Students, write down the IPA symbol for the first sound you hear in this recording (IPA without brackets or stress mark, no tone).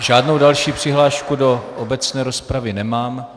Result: ʒ